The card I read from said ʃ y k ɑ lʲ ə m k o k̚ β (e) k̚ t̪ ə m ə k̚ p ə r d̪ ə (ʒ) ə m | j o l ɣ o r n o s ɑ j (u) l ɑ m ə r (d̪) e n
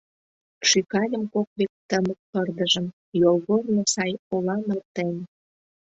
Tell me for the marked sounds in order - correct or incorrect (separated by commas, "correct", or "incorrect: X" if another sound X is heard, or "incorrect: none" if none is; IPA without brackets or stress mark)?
correct, correct, incorrect: o, incorrect: t̪